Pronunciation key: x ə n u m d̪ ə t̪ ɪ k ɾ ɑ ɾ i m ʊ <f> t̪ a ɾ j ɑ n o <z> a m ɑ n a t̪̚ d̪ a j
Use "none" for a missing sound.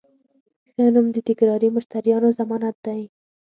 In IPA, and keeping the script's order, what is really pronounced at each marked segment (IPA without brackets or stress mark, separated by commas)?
ʃ, z